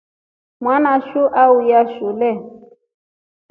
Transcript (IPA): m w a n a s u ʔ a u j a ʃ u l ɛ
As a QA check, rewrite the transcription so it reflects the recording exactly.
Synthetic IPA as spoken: m w a n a ʃ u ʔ a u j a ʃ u l ɛ